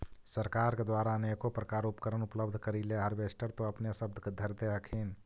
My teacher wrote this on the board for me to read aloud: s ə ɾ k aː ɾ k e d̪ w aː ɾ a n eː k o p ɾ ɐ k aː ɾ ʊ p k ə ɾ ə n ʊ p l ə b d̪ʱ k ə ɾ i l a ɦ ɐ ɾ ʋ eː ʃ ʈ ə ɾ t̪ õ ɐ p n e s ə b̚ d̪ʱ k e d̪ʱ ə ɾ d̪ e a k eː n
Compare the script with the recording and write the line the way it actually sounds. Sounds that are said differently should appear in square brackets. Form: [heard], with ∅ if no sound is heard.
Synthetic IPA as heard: s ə ɾ k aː ɾ k e d̪ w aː ɾ a n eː k o p ɾ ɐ k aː ɾ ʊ p k ə ɾ ə n ʊ p l ə b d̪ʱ k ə ɾ i l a ɦ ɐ ɾ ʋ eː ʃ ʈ ə ɾ t̪ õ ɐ p n e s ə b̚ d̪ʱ k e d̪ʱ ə ɾ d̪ e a [kʰ] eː n